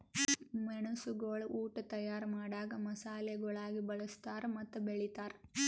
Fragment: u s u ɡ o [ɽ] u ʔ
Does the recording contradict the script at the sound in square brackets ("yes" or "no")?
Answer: yes